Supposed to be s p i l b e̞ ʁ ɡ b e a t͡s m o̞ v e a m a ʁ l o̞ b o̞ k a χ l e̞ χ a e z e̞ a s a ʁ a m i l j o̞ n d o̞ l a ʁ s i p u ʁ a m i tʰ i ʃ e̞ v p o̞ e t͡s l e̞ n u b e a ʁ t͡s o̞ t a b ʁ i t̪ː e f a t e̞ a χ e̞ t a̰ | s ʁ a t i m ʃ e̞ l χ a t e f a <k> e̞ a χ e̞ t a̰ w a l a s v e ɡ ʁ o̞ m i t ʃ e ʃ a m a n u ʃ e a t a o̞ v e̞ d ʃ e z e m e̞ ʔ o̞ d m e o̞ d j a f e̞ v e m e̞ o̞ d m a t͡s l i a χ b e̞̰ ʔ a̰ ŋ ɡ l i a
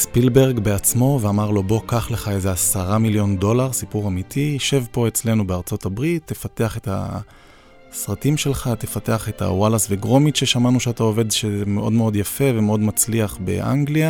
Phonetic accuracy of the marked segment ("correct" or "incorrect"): incorrect